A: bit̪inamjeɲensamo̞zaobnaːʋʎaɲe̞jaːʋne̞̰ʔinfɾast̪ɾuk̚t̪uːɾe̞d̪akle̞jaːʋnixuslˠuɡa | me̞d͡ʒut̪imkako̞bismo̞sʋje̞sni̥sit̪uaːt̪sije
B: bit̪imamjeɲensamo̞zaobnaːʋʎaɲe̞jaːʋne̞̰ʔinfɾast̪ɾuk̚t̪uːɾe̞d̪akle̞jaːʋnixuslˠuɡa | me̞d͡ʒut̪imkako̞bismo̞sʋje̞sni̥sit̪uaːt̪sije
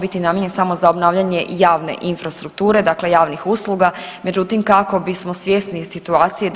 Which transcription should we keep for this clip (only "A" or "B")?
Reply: A